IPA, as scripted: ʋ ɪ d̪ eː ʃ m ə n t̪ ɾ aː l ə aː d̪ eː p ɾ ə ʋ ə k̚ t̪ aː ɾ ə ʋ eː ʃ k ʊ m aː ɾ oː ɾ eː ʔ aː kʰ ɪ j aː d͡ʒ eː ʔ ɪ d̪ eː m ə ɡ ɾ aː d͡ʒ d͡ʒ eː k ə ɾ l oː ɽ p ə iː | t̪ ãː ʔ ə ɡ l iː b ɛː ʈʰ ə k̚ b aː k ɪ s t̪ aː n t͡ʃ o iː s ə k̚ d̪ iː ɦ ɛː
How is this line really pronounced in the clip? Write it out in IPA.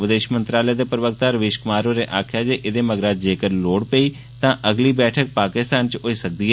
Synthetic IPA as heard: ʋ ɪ d̪ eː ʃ m ə n t̪ ɾ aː l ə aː d̪ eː p ɾ ə ʋ ə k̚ t̪ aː ɾ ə ʋ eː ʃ k ʊ m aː ɾ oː ɾ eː ʔ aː kʰ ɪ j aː d͡ʒ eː ʔ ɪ d̪ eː m ə ɡ ɾ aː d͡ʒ d͡ʒ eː k ə ɾ l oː ɽ p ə iː | t̪ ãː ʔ ə ɡ l iː b ɛː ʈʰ ə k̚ p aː k ɪ s t̪ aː n t͡ʃ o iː s ə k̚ d̪ iː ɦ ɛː